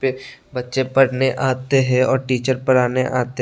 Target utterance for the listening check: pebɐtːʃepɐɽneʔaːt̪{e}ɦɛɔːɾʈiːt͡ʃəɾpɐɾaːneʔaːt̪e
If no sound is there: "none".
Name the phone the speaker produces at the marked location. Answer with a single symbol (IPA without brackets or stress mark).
e